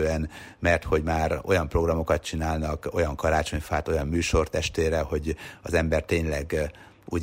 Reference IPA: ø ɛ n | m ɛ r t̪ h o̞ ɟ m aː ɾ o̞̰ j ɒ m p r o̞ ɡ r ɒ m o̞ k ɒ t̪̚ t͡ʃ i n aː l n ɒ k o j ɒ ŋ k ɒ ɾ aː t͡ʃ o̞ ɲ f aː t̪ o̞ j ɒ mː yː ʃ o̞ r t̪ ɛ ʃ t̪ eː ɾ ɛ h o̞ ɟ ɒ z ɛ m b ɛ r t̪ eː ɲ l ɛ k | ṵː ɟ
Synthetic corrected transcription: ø ɛ n | m ɛ r t̪ h o̞ ɟ m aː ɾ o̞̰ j ɒ m p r o̞ ɡ r ɒ m o̞ k ɒ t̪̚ t͡ʃ i n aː l n ɒ k o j ɒ ŋ k ɒ ɾ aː t͡ʃ o̞ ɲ f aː t̪ o̞ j ɒ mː yː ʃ o̞ r t̪ ɛ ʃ t̪ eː ɾ ɛ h o̞ ɟ ɒ z ɛ m b ɛ r t̪ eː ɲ l ɛ ɡ | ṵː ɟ